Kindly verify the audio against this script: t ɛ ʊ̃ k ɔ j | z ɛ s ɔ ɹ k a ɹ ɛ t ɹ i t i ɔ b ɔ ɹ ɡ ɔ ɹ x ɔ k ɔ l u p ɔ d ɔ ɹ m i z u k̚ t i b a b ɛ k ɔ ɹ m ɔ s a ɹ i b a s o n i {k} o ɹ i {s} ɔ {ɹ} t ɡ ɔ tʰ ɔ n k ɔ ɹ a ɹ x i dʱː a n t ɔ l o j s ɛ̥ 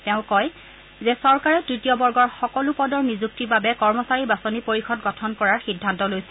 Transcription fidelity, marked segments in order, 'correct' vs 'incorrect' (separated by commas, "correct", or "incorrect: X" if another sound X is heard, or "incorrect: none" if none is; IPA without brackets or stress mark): incorrect: p, incorrect: x, incorrect: none